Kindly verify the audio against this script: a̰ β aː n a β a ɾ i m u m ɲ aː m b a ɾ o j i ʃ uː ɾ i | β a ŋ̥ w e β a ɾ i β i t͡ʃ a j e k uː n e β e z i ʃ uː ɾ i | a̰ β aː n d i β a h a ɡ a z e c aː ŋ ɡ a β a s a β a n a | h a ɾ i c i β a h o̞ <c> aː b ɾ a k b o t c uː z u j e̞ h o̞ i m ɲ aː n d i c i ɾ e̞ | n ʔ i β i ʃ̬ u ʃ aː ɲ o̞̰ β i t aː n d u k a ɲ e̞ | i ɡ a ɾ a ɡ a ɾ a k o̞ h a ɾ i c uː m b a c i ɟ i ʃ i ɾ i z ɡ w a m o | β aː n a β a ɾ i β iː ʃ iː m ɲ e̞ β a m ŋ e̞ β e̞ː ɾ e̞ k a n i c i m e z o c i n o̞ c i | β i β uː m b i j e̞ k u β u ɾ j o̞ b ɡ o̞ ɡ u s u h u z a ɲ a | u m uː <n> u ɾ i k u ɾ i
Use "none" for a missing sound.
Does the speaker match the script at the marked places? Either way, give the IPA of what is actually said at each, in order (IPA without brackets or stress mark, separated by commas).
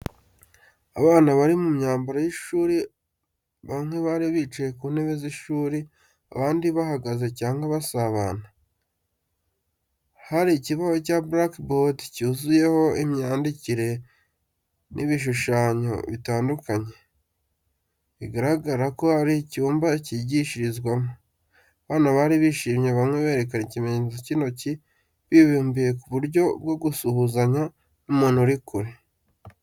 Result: c, n